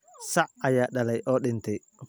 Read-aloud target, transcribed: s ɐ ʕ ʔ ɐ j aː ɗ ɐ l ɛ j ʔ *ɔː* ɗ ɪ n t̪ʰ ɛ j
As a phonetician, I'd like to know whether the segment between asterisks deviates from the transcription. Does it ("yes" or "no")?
no